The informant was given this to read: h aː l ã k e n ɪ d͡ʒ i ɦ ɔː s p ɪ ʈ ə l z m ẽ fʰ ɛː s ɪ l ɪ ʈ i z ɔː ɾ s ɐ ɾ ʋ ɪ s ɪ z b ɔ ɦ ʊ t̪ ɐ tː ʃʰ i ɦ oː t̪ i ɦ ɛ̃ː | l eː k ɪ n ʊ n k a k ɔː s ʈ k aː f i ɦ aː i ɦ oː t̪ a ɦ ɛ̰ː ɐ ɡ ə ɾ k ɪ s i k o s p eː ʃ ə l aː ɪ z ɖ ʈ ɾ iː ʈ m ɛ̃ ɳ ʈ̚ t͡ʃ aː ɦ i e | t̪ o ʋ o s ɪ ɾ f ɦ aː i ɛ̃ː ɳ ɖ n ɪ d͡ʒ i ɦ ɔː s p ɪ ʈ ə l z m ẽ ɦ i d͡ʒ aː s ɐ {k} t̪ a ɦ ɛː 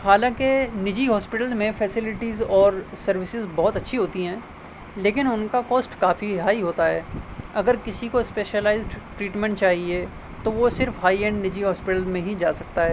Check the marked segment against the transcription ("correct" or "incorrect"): correct